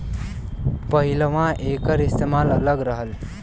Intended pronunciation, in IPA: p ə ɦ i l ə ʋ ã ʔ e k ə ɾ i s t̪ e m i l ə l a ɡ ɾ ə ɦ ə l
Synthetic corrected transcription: p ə ɦ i l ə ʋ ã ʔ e k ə ɾ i s t̪ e m a l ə l ə ɡ ɾ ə ɦ ə l